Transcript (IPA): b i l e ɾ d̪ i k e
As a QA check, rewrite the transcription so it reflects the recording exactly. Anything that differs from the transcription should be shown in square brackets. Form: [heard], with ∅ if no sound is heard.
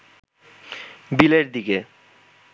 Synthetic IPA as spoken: b i l e ɾ d̪ i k e